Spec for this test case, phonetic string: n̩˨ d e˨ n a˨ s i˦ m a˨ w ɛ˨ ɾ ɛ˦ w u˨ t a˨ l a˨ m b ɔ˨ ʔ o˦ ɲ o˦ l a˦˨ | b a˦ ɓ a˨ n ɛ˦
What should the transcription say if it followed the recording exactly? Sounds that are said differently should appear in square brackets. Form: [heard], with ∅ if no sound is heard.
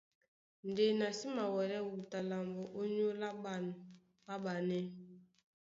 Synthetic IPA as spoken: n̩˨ d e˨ n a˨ s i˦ m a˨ w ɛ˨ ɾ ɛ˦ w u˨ t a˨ l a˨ m b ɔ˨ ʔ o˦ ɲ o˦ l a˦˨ | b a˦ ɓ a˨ n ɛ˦